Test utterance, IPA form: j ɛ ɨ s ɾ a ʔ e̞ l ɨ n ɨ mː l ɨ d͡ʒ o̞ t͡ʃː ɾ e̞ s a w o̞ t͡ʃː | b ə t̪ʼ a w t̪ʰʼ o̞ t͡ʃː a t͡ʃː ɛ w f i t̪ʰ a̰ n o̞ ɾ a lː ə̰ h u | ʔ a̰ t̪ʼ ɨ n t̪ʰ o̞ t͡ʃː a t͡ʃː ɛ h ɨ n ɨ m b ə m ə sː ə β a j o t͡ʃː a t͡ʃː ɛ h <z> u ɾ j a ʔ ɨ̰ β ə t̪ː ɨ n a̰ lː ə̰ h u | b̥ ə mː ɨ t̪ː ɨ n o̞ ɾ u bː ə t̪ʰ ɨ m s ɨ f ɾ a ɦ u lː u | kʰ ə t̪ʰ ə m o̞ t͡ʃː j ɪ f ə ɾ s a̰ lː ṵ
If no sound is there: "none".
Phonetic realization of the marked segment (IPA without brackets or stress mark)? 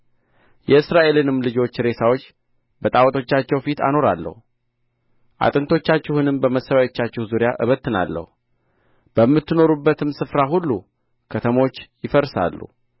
z